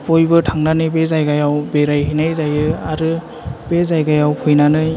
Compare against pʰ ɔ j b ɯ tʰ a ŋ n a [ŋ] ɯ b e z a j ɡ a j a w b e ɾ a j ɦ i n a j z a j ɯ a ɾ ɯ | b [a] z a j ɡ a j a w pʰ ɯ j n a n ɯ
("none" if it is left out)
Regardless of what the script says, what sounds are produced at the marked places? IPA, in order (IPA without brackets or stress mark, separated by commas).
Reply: n, e